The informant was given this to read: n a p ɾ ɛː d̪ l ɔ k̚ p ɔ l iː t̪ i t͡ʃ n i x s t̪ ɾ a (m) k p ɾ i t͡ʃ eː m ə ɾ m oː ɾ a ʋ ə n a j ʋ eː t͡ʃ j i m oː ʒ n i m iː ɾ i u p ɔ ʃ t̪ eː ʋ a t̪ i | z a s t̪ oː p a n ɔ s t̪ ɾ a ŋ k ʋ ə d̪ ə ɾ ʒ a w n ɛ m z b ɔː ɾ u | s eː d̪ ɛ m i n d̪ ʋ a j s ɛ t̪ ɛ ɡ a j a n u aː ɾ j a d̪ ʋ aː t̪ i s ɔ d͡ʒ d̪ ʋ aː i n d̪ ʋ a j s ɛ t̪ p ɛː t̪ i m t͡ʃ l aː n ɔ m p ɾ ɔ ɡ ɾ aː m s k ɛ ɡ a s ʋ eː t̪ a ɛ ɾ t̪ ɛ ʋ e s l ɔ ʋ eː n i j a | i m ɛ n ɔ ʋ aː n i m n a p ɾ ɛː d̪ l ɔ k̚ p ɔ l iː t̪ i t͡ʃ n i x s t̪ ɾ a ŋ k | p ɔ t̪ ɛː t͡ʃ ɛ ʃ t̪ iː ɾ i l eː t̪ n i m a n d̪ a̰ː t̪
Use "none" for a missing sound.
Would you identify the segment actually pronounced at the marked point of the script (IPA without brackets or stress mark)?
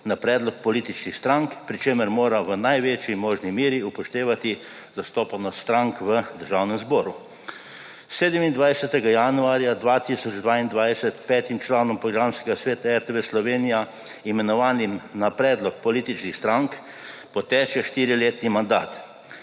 ŋ